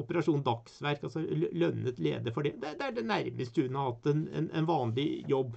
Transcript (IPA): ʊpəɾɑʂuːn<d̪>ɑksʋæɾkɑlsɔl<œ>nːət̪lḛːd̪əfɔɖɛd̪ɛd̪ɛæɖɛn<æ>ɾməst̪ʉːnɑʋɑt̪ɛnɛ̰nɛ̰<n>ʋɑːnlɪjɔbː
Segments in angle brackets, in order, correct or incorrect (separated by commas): correct, correct, correct, correct